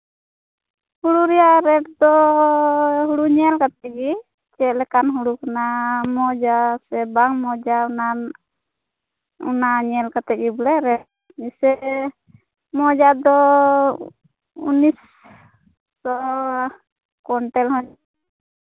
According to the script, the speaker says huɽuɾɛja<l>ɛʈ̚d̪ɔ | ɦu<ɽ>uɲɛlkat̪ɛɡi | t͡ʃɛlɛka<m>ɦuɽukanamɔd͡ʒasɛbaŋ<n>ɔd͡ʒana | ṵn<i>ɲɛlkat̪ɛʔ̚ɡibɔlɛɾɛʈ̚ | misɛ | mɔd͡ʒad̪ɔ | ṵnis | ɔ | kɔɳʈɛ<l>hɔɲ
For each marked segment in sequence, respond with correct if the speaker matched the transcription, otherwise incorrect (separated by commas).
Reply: incorrect, correct, incorrect, incorrect, incorrect, correct